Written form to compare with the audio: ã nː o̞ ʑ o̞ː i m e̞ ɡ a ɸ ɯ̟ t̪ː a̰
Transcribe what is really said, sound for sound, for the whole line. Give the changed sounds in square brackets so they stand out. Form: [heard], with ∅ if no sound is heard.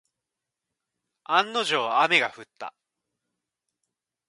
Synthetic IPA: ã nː o̞ ʑ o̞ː [a] m e̞ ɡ a ɸ ɯ̟ t̪ː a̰